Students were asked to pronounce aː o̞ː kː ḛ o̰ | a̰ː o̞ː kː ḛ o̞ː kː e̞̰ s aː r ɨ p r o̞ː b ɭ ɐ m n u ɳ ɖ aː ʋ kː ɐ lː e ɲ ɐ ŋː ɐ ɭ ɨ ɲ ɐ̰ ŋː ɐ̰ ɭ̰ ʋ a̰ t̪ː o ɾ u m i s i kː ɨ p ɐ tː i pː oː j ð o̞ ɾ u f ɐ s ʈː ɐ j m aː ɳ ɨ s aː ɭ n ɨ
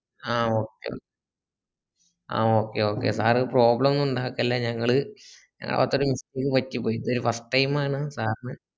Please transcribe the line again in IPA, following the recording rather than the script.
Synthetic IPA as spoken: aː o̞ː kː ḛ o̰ | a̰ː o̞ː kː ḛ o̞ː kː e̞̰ s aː r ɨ p r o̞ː b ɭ ɐ m n u ɳ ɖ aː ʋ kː ɐ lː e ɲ ɐ ŋː ɐ ɭ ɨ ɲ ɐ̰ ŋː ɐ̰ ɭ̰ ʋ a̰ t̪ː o ɾ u m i s i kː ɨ p ɐ tː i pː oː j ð o̞ ɾ u f ɐ s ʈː ɐ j m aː ɳ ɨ s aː r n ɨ

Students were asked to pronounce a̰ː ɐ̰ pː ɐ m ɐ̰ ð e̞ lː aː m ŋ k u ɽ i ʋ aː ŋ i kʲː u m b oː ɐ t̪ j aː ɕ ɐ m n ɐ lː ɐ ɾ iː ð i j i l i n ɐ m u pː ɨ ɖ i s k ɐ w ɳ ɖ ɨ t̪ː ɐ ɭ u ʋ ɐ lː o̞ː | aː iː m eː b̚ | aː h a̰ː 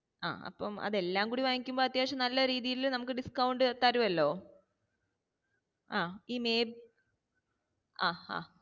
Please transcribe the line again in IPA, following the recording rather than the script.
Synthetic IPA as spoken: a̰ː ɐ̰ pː ɐ m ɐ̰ ð e̞ lː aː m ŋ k uː ɽ i ʋ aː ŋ i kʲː u m b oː ɐ t̪ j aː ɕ ɐ m n ɐ lː ɐ ɾ iː ð i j i l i n ɐ m u kː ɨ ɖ i s k ɐ w ɳ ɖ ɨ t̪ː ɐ ɾ u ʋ ɐ lː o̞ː | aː iː m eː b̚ | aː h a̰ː

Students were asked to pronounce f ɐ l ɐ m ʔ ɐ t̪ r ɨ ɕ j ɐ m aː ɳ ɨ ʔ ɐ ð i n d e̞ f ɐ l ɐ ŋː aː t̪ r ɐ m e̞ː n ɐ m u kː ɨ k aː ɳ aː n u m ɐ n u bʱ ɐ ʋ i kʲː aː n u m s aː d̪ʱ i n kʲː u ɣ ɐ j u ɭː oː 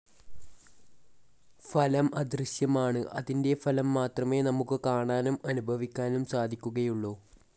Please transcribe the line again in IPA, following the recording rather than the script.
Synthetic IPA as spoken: f ɐ l ɐ m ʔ ɐ d̪ r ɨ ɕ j ɐ m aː ɳ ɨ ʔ ɐ ð i n d e̞ f ɐ l ɐ mː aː t̪ r ɐ m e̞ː n ɐ m u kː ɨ k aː ɳ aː n u m ɐ n u bʱ ɐ ʋ i kʲː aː n u m s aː d̪ʱ i kʲː u ɣ ɐ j u ɭː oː

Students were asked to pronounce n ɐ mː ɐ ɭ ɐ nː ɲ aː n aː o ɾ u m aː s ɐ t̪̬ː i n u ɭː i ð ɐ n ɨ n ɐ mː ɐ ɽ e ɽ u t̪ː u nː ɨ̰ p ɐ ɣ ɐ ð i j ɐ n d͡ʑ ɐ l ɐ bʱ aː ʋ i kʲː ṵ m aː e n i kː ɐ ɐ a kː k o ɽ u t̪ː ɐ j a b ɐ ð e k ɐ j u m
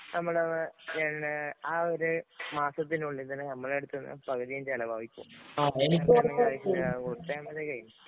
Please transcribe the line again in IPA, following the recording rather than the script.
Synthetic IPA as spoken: n ɐ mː ɐ ɭ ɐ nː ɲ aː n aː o ɾ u m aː s ɐ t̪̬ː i n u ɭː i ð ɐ n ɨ n ɐ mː ɐ ɭ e ɽ u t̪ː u nː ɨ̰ p ɐ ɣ ɐ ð i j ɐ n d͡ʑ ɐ l ɐ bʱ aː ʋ i kʲː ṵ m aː e n i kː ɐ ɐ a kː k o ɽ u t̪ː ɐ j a m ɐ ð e k ɐ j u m

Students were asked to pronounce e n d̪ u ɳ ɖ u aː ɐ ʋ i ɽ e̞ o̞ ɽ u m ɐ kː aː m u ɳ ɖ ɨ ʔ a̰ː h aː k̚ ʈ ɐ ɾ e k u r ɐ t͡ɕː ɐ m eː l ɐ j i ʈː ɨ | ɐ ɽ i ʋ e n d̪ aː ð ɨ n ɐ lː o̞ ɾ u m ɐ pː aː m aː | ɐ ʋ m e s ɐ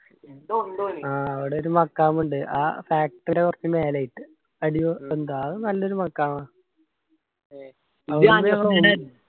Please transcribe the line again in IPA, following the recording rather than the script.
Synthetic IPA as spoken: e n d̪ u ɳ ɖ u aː ɐ ʋ i ɽ e̞ o̞ ɾ u m ɐ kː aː m u ɳ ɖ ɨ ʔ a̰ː f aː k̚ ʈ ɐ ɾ e k u r ɐ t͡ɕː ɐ m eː l ɐ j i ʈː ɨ | ɐ ɽ i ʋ e n d̪ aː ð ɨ n ɐ lː o̞ ɾ u m ɐ kː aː m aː | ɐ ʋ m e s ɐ

